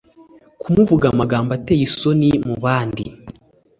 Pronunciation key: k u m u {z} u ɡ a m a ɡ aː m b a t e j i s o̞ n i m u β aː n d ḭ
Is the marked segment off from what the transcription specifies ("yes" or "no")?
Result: yes